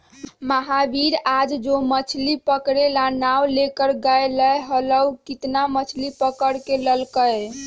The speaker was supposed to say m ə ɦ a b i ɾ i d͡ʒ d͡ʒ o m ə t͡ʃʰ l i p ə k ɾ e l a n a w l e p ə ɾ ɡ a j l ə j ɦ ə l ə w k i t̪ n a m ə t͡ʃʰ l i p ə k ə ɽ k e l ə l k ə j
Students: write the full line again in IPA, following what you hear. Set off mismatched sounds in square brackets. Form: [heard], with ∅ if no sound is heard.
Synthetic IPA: m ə ɦ a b i ɾ [a] d͡ʒ d͡ʒ o m ə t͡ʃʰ l i p ə k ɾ e l a n a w l e [k] ə ɾ ɡ a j l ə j ɦ ə l ə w k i t̪ n a m ə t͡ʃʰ l i p ə k ə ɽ k e l ə l k ə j